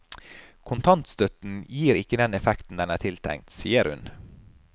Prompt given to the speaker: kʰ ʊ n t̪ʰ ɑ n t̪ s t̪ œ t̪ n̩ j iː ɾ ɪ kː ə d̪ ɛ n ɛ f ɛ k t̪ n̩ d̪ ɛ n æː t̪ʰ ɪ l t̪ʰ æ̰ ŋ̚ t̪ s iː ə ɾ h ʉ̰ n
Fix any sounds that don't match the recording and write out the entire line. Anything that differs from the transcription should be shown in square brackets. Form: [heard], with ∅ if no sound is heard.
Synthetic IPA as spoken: kʰ ʊ n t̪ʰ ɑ n t̪ s t̪ œ t̪ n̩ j iː ɾ ɪ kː ə d̪ ɛ n ɛ f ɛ k t̪ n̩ d̪ ɛ n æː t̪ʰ ɪ l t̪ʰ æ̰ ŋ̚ t̪ s iː ə ɾ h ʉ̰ n